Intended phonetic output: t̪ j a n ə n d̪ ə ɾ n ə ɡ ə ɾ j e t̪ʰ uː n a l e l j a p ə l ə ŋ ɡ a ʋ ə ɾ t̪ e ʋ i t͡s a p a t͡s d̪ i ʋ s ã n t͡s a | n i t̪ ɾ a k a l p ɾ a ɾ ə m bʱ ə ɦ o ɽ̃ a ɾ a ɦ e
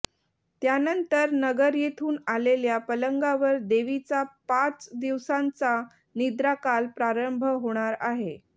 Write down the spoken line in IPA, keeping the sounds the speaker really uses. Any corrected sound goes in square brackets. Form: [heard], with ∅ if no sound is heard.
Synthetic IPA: t̪ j a n ə n [t̪] ə ɾ n ə ɡ ə ɾ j e t̪ʰ uː n a l e l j a p ə l ə ŋ ɡ a ʋ ə ɾ [d̪] e ʋ i t͡s a p a t͡s d̪ i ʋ s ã n t͡s a | n i [d̪] ɾ a k a l p ɾ a ɾ ə m bʱ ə ɦ o ɽ̃ a ɾ a ɦ e